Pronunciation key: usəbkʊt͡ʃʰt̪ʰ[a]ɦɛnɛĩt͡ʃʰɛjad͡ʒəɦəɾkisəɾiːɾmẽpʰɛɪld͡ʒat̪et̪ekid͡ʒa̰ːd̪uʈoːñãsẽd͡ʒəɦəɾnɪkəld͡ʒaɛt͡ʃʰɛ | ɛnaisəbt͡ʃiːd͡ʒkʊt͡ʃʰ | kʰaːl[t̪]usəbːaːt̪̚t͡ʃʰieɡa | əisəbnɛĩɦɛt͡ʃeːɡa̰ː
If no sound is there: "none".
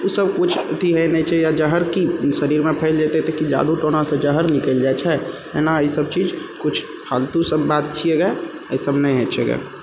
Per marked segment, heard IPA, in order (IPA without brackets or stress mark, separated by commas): i, t̪